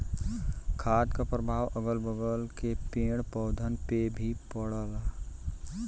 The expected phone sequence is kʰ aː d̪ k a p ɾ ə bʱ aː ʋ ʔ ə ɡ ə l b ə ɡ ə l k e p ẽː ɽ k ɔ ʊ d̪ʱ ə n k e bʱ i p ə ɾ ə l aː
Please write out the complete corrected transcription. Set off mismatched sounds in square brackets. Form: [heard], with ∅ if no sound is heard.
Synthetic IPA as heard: kʰ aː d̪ k a p ɾ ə bʱ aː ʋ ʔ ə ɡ ə l b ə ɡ ə l k e p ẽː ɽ [p] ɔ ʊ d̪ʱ ə n [p] e bʱ i p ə [ɽ] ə l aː